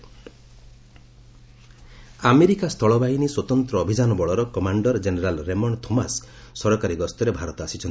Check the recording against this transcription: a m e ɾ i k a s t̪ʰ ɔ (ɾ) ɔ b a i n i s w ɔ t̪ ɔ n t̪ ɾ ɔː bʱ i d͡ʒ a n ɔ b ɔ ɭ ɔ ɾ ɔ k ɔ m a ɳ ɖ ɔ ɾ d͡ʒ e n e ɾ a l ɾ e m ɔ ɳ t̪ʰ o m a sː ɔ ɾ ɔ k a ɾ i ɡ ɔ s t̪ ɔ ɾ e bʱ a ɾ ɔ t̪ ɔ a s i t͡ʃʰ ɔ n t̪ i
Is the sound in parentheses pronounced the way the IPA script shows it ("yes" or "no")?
no